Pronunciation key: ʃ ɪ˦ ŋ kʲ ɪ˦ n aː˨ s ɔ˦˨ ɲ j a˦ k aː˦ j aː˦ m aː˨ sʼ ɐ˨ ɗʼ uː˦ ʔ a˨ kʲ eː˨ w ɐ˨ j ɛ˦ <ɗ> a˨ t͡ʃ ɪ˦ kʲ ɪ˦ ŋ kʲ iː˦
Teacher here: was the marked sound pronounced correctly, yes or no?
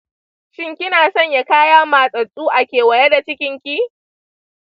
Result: no